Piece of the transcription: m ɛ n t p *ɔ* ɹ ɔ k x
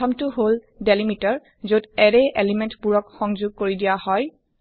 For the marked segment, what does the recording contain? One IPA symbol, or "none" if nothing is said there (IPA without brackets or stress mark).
u